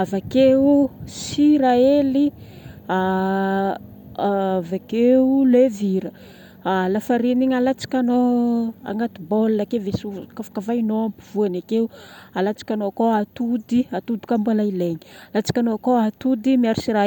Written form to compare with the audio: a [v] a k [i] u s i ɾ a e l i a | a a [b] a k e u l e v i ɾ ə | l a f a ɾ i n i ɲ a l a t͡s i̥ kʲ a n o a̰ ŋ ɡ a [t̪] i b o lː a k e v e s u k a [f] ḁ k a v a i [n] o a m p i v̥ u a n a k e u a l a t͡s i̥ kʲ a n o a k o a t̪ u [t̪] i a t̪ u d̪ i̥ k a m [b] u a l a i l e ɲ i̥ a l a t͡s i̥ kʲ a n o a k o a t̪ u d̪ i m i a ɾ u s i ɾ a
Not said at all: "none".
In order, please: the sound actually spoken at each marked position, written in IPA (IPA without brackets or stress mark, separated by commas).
v, e, v, t̪, f, n, d̪, b